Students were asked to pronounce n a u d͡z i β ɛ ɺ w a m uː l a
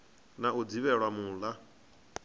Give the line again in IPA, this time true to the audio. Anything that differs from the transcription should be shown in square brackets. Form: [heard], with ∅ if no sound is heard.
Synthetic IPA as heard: n a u d͡z i β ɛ ɺ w a m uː l a